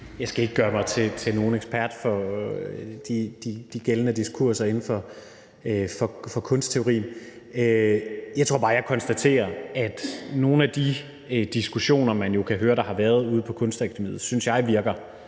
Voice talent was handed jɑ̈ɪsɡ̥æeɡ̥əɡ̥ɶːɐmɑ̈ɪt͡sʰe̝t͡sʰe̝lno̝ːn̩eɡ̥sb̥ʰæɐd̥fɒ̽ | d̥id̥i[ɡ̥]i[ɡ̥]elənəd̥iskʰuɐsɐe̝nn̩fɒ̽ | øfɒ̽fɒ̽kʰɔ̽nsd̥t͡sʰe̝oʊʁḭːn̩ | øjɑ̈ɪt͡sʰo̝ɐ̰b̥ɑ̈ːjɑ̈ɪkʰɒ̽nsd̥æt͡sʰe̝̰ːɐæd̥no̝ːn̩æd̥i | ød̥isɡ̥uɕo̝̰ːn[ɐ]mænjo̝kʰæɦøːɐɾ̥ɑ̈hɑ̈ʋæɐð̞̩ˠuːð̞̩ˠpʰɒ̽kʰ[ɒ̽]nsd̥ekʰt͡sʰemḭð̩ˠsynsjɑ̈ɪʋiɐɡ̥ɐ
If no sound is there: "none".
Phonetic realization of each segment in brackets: d̥, ɡ̥, ɐ, ɔ̽

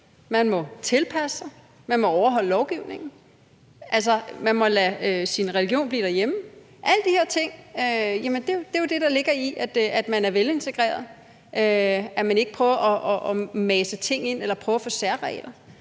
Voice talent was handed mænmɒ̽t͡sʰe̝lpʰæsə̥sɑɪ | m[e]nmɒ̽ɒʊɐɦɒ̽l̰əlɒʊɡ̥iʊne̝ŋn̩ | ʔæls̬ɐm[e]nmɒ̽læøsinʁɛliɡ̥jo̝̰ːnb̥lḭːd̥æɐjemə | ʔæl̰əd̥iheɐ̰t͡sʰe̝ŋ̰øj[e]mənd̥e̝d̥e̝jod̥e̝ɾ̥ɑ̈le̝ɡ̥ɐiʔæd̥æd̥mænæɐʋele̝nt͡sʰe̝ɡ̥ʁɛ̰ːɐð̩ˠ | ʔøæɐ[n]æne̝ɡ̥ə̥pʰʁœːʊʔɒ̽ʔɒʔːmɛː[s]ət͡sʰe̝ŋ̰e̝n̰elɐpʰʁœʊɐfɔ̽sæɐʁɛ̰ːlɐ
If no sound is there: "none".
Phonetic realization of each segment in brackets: æ, æ, æ, m, s

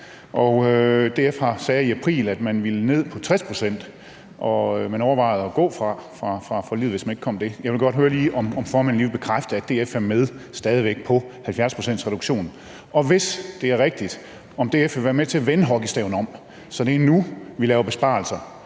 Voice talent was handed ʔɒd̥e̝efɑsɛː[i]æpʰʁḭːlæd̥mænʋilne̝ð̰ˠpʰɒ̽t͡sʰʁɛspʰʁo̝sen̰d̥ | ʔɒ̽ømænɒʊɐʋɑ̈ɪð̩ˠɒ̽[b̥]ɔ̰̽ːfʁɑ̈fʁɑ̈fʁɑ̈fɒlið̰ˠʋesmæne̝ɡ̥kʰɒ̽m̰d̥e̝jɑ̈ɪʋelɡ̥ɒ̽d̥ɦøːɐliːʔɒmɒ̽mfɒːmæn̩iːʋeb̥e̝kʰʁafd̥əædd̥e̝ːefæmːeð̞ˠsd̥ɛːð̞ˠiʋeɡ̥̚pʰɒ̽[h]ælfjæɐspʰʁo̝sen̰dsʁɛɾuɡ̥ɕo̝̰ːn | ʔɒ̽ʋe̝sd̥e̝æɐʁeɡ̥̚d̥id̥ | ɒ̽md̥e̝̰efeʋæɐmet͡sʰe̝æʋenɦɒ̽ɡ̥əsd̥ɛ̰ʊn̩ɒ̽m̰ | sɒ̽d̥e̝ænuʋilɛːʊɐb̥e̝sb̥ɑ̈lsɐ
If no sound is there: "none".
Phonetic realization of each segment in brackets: i, ɡ̥, h

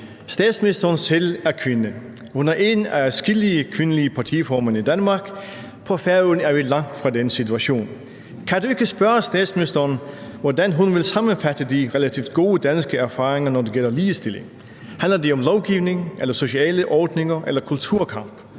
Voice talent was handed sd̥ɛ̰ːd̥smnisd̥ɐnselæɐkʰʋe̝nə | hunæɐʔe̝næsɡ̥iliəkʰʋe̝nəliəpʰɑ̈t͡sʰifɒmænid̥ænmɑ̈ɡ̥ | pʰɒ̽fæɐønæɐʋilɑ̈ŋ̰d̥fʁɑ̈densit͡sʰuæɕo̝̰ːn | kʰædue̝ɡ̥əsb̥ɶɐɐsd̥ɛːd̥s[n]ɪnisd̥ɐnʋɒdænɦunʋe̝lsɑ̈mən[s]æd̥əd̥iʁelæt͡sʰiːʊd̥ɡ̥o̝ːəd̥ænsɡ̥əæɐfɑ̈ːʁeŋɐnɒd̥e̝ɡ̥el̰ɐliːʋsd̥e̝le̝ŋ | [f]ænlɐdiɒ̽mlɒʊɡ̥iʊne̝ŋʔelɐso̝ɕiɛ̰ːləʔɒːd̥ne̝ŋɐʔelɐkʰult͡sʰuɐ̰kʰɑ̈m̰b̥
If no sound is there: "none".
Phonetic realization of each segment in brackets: m, f, h

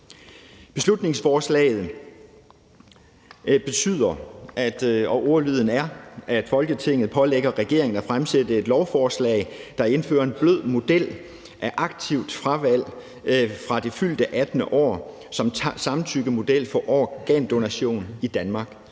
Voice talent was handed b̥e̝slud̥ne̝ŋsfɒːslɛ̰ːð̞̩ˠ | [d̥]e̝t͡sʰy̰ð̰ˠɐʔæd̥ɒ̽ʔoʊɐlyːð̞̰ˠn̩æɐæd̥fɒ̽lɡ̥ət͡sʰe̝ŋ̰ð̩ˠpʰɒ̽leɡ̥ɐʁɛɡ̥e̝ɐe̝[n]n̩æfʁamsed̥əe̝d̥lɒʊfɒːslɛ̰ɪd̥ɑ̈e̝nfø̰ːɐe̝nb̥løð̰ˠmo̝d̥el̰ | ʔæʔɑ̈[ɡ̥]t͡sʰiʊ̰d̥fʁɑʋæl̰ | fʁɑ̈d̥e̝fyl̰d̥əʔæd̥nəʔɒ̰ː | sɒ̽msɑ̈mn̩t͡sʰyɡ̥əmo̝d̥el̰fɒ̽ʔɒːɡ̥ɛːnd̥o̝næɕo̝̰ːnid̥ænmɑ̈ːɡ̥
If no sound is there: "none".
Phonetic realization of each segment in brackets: b̥, ŋ, ɡ̥

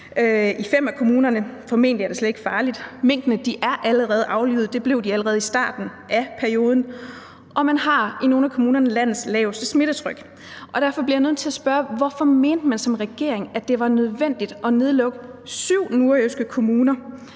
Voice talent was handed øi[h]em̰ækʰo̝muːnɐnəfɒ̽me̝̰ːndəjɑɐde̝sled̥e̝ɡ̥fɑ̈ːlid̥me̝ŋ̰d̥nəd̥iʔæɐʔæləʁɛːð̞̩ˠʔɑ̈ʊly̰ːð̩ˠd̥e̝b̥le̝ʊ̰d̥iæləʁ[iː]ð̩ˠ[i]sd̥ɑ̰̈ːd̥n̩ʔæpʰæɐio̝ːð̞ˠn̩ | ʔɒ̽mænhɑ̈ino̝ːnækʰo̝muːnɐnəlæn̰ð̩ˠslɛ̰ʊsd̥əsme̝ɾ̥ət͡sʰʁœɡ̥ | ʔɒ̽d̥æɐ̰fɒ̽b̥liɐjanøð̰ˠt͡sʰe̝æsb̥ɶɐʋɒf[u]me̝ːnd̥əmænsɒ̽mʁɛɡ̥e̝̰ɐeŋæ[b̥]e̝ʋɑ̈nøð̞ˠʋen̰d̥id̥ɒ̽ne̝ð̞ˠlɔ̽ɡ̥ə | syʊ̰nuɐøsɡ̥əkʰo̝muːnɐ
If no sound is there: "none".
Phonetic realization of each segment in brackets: f, ɛː, i, ɒ, d̥

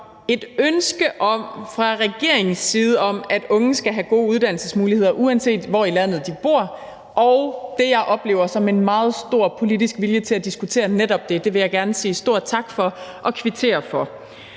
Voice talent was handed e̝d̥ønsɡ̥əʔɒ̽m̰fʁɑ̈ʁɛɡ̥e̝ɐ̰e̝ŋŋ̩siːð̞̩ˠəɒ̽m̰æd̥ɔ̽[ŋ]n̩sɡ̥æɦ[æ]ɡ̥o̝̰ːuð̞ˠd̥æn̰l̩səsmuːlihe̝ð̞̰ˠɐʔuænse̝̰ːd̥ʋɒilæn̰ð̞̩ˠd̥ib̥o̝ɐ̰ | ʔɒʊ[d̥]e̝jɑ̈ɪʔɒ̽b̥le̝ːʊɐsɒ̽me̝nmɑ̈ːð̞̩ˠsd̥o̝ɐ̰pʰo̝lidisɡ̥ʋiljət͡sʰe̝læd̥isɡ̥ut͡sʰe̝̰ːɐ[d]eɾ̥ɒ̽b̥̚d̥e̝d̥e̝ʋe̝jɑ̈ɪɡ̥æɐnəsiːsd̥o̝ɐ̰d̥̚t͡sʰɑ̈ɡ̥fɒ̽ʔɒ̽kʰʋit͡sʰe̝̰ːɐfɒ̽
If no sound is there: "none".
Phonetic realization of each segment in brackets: ŋ, æ, d̥, n

